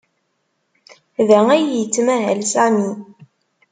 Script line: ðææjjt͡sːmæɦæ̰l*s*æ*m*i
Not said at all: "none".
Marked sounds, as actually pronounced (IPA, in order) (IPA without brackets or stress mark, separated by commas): s, m